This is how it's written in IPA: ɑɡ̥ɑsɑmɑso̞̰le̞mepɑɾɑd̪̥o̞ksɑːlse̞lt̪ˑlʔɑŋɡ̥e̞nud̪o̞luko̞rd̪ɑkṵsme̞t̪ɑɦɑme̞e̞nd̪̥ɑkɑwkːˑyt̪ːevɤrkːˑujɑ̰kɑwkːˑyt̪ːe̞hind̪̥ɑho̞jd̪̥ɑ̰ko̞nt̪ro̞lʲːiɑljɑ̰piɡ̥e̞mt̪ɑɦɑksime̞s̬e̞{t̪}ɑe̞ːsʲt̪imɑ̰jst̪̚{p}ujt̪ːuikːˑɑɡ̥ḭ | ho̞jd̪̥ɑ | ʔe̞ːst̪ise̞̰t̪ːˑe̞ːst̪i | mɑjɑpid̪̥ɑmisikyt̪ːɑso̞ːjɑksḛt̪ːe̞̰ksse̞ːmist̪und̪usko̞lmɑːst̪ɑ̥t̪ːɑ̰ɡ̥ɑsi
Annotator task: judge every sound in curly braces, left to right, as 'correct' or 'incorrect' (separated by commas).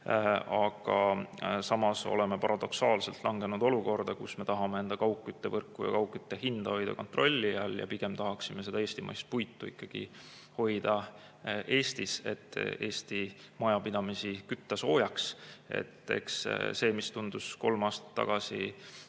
incorrect, correct